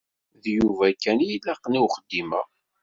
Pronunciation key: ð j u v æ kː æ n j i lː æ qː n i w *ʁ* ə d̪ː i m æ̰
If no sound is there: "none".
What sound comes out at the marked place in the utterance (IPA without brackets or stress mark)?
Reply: χ